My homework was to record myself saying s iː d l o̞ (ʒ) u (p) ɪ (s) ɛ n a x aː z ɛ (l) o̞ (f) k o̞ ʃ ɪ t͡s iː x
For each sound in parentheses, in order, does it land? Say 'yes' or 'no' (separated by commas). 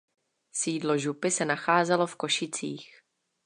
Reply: yes, yes, yes, yes, yes